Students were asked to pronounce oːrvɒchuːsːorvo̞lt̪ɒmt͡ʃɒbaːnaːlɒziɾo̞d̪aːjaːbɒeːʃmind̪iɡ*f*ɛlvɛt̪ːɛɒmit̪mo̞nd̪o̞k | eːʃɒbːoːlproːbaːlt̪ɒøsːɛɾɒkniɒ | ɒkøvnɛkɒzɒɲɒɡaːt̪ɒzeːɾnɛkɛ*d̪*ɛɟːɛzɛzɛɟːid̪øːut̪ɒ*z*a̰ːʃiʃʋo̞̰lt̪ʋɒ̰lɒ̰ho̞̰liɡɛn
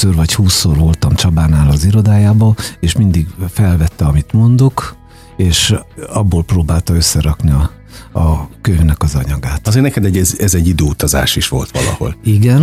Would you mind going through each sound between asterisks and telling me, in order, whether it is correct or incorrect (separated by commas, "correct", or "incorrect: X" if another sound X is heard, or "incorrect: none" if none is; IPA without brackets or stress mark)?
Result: correct, correct, correct